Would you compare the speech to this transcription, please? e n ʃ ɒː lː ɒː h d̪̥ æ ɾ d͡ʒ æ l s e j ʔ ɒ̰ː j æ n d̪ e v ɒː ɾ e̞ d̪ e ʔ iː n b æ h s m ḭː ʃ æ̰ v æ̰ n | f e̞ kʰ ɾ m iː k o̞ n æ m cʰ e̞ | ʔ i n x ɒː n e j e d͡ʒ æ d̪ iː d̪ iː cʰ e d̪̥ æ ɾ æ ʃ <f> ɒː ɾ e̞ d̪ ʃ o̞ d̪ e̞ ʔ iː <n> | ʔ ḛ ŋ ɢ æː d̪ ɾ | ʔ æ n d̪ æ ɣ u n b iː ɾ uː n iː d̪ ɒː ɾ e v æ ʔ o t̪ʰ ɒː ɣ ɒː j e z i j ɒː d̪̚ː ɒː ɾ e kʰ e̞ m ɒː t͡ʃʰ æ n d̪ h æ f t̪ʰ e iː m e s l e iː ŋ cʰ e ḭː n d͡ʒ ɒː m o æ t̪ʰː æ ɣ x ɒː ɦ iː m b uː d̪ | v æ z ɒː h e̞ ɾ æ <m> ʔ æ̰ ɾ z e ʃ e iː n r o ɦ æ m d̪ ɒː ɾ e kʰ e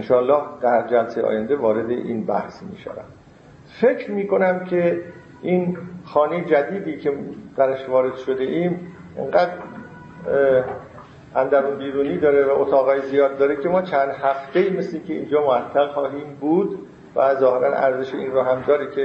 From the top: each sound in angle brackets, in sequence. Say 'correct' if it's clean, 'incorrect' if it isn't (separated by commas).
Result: incorrect, incorrect, incorrect